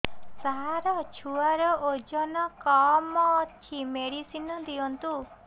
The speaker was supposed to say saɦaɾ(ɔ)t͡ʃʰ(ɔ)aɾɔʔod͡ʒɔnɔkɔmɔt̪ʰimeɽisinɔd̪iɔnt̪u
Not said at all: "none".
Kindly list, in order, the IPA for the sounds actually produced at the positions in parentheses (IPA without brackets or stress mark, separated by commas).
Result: ɔ, u